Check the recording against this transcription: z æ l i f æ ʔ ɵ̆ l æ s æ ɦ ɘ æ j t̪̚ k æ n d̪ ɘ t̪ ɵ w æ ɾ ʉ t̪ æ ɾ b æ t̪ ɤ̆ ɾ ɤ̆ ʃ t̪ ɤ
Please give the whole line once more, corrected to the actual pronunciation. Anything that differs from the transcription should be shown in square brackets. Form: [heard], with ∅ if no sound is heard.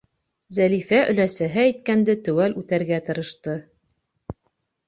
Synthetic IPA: z æ l i f æ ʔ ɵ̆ l æ s æ ɦ ɘ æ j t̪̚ k æ n d̪ ɘ t̪ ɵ w æ [l] ʉ t̪ æ ɾ [ɡ] æ t̪ ɤ̆ ɾ ɤ̆ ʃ t̪ ɤ